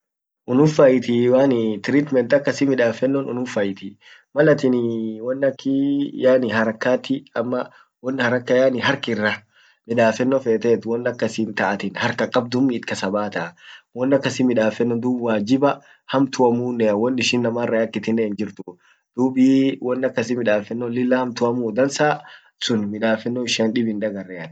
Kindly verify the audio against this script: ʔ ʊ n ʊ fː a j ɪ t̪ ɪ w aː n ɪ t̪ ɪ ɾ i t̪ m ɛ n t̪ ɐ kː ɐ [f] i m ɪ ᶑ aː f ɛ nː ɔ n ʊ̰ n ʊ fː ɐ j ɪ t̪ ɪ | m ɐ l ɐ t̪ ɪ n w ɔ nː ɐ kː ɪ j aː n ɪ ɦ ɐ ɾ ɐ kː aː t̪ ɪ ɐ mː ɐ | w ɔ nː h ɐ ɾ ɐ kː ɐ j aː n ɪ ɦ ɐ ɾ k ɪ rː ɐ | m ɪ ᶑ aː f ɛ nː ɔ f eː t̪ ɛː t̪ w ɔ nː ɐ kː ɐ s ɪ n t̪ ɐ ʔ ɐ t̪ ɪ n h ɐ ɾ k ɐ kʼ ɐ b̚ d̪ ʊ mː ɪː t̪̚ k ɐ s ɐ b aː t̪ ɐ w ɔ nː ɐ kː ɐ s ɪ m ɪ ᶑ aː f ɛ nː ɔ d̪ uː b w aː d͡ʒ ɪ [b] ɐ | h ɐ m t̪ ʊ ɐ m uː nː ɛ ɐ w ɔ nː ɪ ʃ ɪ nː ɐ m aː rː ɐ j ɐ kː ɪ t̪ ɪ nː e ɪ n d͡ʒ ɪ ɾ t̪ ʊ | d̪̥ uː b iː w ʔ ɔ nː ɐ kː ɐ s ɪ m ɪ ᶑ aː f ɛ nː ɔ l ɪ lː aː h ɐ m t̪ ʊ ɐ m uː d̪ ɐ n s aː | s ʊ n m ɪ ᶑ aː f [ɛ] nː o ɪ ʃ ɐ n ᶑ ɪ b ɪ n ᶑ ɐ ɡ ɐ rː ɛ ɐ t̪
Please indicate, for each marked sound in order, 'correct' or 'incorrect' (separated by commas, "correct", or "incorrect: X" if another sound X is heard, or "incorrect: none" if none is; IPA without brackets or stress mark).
incorrect: s, correct, correct